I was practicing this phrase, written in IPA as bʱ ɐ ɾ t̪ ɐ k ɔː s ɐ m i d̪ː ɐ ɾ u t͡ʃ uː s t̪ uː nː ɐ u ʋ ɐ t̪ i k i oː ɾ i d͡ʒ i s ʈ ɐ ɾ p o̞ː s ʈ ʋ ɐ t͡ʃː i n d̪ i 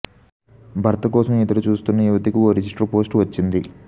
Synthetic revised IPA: bʱ ɐ ɾ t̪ ɐ k ɔː s ɐ m i d̪ ɐ ɾ u t͡ʃ uː s t̪ u nː ɐ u ʋ ɐ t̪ i k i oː ɾ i d͡ʒ i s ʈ ɐ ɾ p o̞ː s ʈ ʋ ɐ t͡ʃː i n d̪ i

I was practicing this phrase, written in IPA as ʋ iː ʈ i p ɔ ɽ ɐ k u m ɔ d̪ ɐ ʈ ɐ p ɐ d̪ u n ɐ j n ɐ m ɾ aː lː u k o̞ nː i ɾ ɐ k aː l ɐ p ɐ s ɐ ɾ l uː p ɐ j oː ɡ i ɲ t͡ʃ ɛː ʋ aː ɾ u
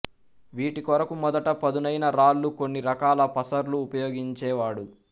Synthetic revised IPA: ʋ iː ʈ i k ɔ ɾ ɐ k u m ɔ d̪ ɐ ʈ ɐ p ɐ d̪ u n ɐ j n ɐ ɾ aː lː u k o̞ nː i ɾ ɐ k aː l ɐ p ɐ s ɐ ɾ l uː p ɐ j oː ɡ i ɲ t͡ʃ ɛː ʋ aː ɽ u

